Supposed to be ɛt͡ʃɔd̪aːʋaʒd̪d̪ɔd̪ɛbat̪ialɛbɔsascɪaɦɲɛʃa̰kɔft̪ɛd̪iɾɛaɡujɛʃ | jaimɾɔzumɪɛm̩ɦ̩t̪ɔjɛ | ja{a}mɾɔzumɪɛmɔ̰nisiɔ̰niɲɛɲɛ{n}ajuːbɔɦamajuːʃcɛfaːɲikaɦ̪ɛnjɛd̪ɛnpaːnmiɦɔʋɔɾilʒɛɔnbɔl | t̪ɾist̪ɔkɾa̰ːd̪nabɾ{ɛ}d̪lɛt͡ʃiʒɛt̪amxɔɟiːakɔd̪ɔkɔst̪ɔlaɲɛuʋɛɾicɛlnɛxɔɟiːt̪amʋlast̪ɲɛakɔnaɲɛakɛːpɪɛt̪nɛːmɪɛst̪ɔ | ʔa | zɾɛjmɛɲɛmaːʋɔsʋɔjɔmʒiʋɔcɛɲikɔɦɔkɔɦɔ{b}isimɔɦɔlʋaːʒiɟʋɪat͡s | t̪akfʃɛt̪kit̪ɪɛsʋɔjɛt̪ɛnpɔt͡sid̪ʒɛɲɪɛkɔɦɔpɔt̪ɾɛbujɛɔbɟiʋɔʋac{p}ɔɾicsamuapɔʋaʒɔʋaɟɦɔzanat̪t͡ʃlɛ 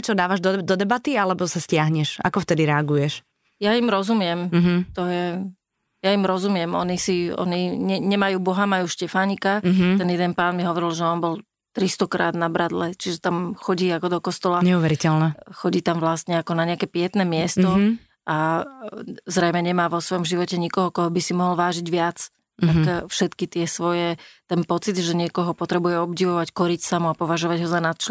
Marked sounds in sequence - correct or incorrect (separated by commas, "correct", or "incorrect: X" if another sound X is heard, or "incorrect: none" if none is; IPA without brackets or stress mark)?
incorrect: i, incorrect: m, incorrect: a, correct, incorrect: k